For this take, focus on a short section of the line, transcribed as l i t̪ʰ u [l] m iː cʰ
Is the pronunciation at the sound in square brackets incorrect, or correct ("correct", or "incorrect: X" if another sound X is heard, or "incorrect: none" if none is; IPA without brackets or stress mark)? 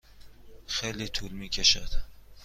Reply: correct